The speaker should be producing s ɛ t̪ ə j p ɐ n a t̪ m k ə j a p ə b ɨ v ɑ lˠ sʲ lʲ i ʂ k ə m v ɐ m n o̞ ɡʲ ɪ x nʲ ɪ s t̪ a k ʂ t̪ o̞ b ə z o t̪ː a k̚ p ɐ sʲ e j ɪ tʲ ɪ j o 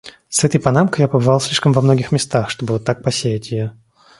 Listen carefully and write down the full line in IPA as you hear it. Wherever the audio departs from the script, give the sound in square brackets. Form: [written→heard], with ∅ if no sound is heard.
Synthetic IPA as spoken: s ɛ t̪ ə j p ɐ n a [t̪→∅] m k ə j a p ə b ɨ v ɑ lˠ sʲ lʲ i ʂ k ə m v ɐ m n o̞ ɡʲ ɪ x [nʲ→mʲ] ɪ s t̪ a [k→x] ʂ t̪ o̞ b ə [z→v] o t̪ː a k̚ p ɐ sʲ e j ɪ tʲ ɪ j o